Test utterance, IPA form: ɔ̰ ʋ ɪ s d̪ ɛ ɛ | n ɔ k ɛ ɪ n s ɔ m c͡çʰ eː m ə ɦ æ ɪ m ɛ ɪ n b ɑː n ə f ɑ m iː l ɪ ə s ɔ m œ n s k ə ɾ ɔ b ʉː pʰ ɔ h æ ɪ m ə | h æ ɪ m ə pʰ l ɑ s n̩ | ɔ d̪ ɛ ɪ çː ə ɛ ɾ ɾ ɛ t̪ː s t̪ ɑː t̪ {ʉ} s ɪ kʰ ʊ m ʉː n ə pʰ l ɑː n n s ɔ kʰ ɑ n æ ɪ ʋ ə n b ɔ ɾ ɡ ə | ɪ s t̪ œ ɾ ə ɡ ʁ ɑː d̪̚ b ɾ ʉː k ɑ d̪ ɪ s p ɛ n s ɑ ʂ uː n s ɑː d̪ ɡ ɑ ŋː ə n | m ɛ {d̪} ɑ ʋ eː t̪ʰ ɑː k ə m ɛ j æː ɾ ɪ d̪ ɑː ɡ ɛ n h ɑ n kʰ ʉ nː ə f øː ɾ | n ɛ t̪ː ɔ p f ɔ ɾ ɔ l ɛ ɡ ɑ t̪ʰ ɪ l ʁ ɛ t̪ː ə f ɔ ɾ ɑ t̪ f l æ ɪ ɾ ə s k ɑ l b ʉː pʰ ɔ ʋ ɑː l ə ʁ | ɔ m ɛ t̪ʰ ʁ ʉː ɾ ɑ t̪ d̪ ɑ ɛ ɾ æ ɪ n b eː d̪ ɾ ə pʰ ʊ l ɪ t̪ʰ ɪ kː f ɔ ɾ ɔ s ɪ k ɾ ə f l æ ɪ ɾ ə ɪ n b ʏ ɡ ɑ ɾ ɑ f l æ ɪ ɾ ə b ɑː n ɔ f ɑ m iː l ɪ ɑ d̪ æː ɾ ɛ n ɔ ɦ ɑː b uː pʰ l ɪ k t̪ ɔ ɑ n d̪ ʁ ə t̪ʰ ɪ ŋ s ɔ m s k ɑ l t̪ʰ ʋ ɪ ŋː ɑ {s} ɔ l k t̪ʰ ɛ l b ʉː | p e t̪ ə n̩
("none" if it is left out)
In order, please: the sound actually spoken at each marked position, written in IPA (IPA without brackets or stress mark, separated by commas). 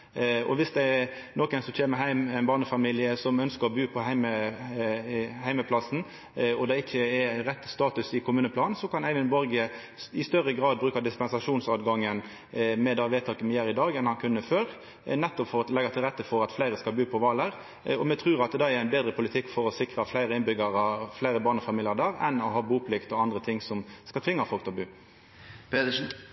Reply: ʉ, d̪, f